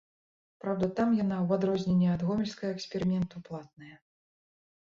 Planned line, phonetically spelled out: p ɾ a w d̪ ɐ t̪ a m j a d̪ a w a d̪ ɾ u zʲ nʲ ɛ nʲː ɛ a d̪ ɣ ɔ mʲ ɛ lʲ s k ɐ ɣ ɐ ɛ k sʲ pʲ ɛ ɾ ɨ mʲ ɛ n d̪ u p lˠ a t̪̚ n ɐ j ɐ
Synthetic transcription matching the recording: p ɾ a w d̪ ɐ t̪ a m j a n̪ a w a d̪ ɾ ɔ zʲ nʲ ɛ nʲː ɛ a d̪ ɣ ɔ mʲ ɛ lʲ s k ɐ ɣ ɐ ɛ k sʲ pʲ ɛ ɾ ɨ mʲ ɛ n t̪ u p lˠ a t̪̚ n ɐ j ɐ